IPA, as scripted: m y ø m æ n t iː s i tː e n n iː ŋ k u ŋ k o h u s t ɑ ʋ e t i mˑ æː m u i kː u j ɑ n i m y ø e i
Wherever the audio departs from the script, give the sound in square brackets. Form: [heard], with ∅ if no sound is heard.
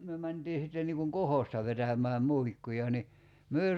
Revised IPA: m y ø m æ n t iː s i tː e n n iː ŋ k u ŋ k o h [o] s t ɑ ʋ e t [æ] mˑ æː m u i kː u j ɑ n i m y ø e i